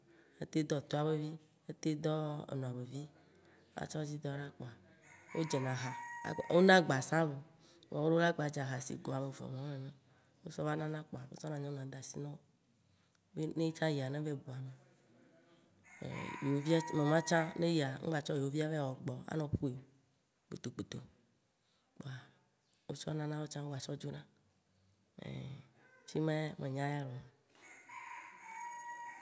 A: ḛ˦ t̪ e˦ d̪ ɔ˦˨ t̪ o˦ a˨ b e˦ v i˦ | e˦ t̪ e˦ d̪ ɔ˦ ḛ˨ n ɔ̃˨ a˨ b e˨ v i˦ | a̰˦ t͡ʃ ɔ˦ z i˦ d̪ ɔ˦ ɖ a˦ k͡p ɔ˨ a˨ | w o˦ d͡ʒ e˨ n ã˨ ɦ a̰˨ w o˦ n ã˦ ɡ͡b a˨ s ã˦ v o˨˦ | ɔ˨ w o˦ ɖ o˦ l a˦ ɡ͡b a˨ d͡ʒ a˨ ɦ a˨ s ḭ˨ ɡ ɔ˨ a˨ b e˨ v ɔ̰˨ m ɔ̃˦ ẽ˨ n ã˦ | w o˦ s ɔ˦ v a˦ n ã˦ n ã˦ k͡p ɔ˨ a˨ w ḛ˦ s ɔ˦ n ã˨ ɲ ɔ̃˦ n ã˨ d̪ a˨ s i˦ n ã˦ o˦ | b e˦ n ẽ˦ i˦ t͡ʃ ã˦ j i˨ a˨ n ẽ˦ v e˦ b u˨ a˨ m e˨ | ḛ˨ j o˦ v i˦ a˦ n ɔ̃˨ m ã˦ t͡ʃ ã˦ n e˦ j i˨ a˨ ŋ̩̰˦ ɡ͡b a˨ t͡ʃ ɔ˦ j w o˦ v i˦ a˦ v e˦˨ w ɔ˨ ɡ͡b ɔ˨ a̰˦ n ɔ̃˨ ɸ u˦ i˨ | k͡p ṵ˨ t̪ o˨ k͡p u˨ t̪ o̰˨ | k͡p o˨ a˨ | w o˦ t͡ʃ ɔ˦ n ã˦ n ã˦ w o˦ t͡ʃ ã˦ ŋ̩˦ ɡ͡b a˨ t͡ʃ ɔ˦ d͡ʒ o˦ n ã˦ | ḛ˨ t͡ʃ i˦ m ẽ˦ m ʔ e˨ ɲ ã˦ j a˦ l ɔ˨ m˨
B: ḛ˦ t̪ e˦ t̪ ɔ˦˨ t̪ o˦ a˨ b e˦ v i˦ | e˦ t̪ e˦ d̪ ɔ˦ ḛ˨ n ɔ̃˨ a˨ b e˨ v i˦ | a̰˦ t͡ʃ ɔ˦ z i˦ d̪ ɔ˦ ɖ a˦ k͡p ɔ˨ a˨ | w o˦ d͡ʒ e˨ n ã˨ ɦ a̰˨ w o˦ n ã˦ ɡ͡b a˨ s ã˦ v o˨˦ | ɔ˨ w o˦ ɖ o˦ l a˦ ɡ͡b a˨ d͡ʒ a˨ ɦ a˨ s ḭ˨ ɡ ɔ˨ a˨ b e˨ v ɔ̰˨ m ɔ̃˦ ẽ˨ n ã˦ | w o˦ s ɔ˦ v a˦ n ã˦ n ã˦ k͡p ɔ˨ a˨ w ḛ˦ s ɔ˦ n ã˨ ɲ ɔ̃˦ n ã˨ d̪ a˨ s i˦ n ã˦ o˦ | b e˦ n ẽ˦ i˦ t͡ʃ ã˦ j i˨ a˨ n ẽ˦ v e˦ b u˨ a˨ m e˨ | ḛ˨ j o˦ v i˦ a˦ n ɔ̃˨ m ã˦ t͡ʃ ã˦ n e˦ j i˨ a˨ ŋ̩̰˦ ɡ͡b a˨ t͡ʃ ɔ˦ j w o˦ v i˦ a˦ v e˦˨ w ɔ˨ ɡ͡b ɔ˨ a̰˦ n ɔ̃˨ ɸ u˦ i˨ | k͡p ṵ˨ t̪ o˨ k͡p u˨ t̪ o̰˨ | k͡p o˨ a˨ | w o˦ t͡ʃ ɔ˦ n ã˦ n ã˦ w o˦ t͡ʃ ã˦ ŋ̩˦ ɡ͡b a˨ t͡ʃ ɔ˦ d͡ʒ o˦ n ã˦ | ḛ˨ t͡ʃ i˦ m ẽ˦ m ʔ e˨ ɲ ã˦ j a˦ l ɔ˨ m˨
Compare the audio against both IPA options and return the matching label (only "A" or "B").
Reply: A